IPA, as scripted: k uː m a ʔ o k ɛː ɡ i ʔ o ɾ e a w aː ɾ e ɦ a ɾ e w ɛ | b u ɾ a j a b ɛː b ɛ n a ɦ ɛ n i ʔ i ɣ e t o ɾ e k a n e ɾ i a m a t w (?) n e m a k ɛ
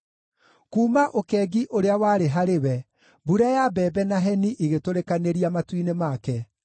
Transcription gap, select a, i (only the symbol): i